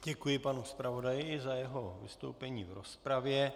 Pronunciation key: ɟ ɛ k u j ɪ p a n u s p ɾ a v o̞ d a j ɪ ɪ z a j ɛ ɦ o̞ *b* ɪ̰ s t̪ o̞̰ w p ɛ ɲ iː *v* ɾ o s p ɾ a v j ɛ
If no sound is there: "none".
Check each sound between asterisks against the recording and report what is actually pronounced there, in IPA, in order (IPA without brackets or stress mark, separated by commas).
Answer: v, v